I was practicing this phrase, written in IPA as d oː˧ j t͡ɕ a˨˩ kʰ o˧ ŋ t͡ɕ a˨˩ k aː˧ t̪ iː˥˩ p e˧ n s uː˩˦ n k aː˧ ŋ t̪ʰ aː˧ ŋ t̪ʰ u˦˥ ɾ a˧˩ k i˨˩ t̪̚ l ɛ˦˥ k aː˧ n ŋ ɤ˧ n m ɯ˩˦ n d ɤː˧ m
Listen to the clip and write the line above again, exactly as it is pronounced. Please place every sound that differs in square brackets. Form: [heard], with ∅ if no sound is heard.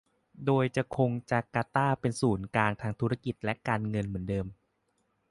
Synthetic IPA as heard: d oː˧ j t͡ɕ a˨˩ kʰ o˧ ŋ t͡ɕ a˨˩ k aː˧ t̪ [aː˥˩] p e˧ n s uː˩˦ n k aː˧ ŋ t̪ʰ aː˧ ŋ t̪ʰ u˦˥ ɾ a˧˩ k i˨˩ t̪̚ l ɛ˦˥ k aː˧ n ŋ ɤ˧ n m ɯ˩˦ n d ɤː˧ m